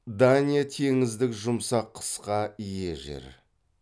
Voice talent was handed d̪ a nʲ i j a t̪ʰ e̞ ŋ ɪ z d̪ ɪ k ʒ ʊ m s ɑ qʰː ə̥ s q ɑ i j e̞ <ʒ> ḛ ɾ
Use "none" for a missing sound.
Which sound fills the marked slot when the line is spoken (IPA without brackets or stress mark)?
ʒ